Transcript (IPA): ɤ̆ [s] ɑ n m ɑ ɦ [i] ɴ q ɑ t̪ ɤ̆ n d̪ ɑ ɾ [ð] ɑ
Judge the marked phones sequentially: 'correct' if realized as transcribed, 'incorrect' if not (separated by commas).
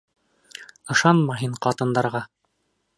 incorrect, correct, incorrect